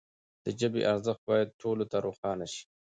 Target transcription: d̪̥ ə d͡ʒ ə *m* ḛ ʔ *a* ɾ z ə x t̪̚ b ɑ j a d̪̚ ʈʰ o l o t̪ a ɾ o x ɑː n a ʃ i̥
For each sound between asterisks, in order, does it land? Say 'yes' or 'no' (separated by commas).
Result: no, yes